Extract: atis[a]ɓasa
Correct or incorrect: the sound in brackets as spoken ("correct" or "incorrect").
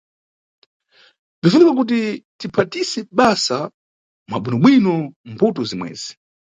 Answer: incorrect